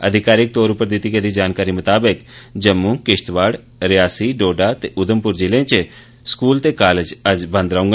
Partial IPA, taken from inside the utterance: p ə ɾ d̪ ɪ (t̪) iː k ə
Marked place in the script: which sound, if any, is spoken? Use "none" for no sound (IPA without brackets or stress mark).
t̪